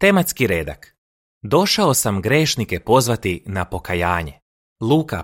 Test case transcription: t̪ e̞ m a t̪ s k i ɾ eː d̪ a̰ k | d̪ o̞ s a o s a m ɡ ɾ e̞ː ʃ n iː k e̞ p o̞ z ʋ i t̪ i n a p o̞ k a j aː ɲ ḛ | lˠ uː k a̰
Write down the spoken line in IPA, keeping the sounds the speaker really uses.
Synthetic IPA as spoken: t̪ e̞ m a t̪ s k i ɾ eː d̪ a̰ k | d̪ o̞ ʃ a o s a m ɡ ɾ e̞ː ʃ n i k e̞ p o̞ z ʋ a t̪ i n a p o̞ k a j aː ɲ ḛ | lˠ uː k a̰